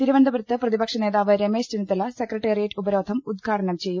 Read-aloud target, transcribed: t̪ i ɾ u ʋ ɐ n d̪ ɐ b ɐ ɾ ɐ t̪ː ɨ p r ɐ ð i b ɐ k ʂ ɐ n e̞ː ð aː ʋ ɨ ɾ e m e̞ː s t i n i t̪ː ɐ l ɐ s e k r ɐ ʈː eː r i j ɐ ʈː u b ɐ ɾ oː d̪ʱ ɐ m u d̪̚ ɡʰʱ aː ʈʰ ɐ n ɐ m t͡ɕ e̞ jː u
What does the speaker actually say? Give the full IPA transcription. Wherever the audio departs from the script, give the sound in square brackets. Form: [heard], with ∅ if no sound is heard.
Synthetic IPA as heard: t̪ i ɾ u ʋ ɐ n d̪ ɐ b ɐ ɾ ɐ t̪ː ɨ p r ɐ ð i b ɐ k ʂ ɐ n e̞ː ð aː ʋ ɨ ɾ e m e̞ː s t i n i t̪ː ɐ l ɐ s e k r ɐ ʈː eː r i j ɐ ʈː u b ɐ ɾ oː d̪ʱ ɐ m u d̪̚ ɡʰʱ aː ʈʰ ɐ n ɐ m t͡ɕ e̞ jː u

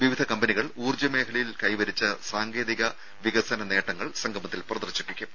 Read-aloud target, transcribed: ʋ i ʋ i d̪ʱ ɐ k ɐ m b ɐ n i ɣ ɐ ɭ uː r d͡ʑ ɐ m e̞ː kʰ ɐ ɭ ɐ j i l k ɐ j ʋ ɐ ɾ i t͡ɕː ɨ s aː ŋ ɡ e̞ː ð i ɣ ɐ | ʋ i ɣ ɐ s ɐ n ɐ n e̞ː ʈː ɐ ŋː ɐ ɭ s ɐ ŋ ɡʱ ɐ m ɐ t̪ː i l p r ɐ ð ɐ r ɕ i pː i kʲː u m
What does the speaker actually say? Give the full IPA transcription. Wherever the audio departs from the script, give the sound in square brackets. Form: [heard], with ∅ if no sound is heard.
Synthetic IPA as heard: ʋ i ʋ i d̪ʱ ɐ k ɐ m b ɐ n i ɣ ɐ ɭ uː r d͡ʑ ɐ m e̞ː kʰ ɐ ɭ ɐ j i l k ɐ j ʋ ɐ ɾ i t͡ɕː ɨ s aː ŋ ɡ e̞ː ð i ɣ ɐ | ʋ i ɣ ɐ s ɐ n ɐ n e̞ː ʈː ɐ ŋː ɐ ɭ s ɐ ŋ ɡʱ ɐ m ɐ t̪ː i l p r ɐ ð ɐ r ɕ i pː i kʲː u m

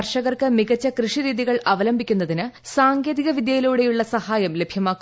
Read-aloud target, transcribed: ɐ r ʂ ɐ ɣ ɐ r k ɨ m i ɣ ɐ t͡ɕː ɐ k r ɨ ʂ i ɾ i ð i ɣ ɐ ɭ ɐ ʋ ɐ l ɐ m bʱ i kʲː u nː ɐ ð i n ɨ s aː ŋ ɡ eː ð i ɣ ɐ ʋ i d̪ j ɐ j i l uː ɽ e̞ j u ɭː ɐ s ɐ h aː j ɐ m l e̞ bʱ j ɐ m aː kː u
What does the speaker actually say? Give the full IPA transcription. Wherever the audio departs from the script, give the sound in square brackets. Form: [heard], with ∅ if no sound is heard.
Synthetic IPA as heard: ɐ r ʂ ɐ ɣ ɐ r k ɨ m i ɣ ɐ t͡ɕː ɐ k r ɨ ʂ i ɾ [iː] ð i ɣ ɐ ɭ ɐ ʋ ɐ l ɐ m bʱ i kʲː u nː ɐ ð i n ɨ s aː ŋ ɡ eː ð i ɣ ɐ ʋ i d̪ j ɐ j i l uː ɽ e̞ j u ɭː ɐ s ɐ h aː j ɐ m l e̞ bʱ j ɐ m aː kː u

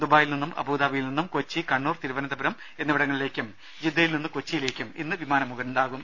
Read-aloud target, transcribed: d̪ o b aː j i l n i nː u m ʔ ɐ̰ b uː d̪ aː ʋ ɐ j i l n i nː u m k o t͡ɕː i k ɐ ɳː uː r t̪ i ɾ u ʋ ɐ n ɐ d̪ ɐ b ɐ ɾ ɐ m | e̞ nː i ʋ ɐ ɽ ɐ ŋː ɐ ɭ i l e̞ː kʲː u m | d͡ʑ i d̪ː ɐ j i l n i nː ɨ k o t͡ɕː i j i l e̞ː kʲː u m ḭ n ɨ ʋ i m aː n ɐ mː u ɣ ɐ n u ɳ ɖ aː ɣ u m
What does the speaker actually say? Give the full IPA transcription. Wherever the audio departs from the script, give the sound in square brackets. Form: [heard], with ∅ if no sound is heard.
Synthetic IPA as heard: d̪ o b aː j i l n i nː u m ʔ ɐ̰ b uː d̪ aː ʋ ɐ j i l n i nː u m k o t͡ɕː i k ɐ ɳː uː r t̪ i ɾ u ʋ ɐ n ɐ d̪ ɐ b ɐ ɾ ɐ m | e̞ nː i ʋ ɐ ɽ ɐ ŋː ɐ ɭ i l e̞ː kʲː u m | d͡ʑ i d̪ː ɐ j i l n i nː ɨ k o t͡ɕː i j i l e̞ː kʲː u m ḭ [nː] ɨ ʋ i m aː n ɐ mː u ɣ ɐ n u ɳ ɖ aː ɣ u m

